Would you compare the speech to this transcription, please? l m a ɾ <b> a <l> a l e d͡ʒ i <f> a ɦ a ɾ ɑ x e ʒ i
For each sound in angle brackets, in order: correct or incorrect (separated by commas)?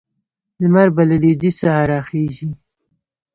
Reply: correct, correct, incorrect